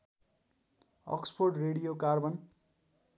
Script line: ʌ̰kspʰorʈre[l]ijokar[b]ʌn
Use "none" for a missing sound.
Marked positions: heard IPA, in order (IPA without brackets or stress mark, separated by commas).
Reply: ɽ, b